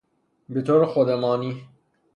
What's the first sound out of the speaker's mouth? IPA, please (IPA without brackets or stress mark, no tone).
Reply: b